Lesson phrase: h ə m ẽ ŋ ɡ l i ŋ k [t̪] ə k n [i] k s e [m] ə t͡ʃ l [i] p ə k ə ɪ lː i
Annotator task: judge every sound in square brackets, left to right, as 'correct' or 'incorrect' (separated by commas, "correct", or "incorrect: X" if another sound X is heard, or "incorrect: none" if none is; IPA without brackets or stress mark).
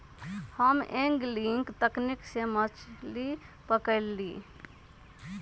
correct, correct, correct, correct